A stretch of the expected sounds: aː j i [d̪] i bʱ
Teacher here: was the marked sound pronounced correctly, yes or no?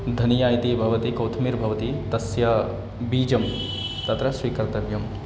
no